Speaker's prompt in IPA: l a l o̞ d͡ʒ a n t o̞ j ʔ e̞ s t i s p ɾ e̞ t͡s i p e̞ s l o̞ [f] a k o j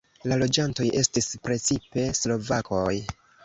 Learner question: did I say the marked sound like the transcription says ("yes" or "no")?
no